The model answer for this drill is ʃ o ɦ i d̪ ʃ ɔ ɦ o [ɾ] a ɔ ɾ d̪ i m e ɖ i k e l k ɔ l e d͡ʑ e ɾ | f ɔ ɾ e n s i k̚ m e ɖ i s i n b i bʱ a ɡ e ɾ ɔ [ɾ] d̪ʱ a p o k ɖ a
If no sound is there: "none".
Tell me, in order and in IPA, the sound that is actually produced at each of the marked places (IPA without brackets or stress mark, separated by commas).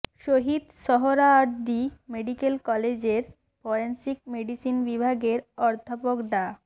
ɾ, ɾ